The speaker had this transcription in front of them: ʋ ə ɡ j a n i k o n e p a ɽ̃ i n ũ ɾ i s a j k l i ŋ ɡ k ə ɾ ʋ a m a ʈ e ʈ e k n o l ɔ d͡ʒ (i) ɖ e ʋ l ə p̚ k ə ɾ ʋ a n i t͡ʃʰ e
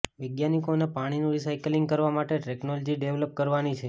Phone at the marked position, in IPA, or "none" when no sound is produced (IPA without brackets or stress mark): i